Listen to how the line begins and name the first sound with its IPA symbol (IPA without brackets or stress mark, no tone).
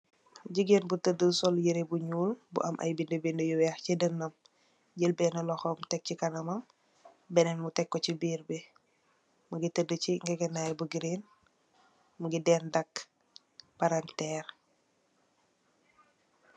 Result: ɟ